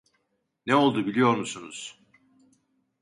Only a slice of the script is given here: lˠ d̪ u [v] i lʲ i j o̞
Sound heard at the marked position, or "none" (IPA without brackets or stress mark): b